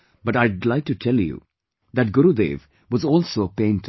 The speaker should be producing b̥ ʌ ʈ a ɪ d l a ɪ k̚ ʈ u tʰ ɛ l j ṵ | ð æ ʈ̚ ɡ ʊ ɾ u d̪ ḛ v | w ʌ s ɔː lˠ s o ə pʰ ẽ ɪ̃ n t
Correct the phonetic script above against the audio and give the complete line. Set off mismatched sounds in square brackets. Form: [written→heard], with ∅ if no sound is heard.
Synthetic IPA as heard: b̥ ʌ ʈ a ɪ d l a ɪ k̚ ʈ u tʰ ɛ l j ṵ | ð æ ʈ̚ ɡ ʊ ɾ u d̪ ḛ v | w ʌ [s→z] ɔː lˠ s o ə [pʰ→p] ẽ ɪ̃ n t